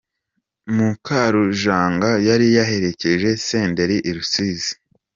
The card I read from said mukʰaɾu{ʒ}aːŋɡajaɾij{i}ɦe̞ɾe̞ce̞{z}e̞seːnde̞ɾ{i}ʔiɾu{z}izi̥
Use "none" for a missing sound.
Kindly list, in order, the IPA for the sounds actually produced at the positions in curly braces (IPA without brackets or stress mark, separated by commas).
ʒ, a, ʒ, i, s